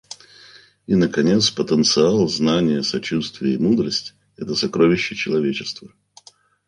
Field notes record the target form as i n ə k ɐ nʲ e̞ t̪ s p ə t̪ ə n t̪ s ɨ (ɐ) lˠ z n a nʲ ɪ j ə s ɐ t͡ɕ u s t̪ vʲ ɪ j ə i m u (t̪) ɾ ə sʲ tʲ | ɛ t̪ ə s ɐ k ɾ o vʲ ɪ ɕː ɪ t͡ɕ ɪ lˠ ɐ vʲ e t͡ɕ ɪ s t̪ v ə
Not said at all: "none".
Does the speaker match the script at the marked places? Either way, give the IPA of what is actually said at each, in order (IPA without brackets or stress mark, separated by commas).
a, d̪